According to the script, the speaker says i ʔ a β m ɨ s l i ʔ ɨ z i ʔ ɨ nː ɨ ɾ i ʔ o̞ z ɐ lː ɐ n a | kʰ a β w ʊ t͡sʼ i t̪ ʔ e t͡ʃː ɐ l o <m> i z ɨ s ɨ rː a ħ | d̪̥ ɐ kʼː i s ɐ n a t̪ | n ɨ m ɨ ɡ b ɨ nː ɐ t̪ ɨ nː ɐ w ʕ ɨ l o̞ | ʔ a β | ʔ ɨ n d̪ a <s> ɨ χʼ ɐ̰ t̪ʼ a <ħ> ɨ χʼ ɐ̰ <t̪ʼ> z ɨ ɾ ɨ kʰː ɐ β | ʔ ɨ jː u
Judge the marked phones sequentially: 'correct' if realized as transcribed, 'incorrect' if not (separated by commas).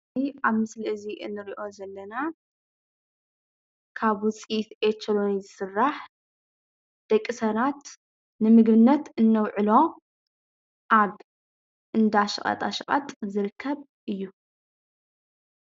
incorrect, incorrect, incorrect, correct